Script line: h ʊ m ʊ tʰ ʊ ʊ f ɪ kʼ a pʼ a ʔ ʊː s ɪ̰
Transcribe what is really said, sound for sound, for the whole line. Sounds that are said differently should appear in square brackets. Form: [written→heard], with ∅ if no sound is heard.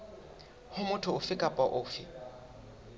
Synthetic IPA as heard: h ʊ m ʊ tʰ ʊ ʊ f ɪ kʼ a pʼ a ʔ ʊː [s→f] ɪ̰